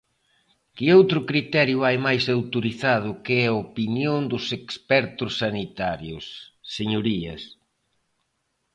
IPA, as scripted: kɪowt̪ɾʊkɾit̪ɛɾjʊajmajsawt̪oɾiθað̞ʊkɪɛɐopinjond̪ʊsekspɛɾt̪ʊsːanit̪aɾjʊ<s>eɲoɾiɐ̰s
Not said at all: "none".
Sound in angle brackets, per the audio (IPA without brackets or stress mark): sː